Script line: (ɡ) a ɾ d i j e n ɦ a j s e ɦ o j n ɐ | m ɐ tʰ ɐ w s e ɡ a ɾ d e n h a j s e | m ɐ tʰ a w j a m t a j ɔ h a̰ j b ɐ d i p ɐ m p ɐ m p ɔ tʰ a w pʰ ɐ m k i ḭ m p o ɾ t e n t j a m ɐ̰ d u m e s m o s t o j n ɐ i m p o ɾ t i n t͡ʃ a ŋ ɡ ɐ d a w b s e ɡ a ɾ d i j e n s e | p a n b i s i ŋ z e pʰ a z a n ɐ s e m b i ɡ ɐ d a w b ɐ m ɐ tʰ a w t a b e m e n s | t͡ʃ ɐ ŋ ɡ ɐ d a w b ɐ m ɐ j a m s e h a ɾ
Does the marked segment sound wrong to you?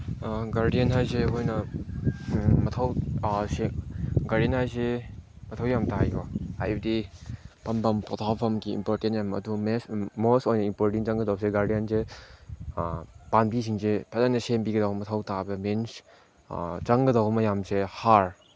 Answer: no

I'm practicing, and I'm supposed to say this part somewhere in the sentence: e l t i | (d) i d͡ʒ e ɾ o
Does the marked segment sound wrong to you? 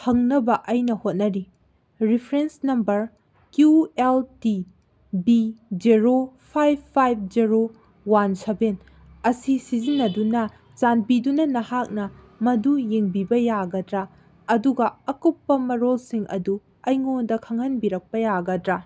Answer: yes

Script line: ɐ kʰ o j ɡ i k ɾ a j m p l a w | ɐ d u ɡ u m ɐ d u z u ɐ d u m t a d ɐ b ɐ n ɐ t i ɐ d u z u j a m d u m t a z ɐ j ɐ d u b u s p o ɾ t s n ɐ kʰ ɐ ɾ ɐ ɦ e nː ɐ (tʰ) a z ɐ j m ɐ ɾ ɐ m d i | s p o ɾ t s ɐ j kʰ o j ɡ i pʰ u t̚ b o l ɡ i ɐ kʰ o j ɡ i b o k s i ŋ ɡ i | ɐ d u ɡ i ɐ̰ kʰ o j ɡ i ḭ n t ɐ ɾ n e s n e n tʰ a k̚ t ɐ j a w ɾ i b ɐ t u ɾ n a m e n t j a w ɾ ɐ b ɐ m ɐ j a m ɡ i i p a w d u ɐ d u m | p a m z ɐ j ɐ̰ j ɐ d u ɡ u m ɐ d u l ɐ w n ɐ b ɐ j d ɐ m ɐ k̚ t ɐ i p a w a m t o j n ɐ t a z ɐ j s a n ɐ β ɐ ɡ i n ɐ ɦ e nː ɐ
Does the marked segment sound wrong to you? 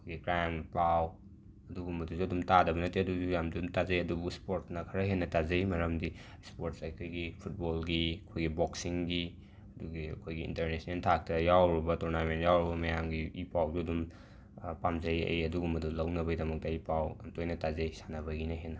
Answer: yes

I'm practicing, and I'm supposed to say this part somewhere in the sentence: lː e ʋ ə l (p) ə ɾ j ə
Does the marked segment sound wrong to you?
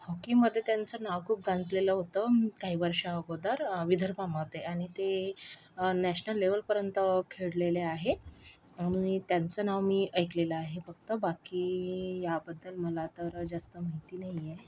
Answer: no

